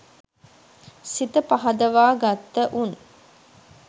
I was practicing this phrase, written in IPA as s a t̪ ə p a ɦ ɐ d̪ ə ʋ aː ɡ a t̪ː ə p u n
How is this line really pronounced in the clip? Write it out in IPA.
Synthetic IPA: s i t̪ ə p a ɦ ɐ d̪ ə ʋ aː ɡ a t̪ː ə ʔ u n